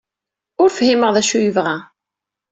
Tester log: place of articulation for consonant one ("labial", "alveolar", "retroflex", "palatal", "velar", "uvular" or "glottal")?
alveolar